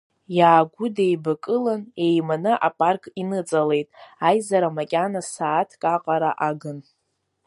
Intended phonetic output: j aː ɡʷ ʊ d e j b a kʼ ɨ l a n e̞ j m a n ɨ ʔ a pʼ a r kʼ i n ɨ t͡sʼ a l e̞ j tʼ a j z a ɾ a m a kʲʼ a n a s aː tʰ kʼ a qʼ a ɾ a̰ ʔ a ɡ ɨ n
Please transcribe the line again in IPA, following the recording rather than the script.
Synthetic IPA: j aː ɡʷ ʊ d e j b a kʼ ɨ l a n e̞ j m a n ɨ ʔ a pʼ a r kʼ i n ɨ t͡sʼ a l e̞ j tʼ a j z a ɾ a m a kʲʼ a n a s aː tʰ kʼ a qʼ a ɾ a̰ ʔ a ɡ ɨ n